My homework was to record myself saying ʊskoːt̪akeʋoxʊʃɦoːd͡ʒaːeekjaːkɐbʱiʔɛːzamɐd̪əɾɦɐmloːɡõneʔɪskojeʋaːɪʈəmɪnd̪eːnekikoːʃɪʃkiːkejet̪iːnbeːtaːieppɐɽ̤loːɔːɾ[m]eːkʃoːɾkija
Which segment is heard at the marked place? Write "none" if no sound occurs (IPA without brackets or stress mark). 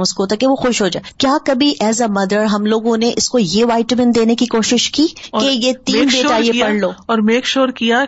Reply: m